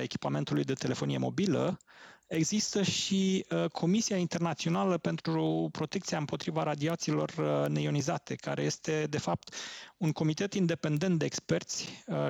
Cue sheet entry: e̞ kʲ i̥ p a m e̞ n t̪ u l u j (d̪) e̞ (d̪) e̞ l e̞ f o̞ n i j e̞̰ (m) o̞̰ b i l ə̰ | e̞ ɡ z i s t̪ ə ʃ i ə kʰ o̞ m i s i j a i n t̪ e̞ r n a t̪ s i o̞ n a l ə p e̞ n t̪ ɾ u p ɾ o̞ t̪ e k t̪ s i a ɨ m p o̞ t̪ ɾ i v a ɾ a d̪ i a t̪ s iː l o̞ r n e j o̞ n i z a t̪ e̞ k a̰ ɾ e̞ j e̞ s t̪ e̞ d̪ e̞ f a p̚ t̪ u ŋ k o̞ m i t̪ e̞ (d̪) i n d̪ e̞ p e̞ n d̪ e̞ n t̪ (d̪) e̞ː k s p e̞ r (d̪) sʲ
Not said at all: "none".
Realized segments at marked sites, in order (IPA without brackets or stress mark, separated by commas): d̪, t̪, m, t̪, d̪, t̪